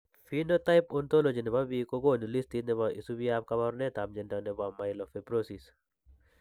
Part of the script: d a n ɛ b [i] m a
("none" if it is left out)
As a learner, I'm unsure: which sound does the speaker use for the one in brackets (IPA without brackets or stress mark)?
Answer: a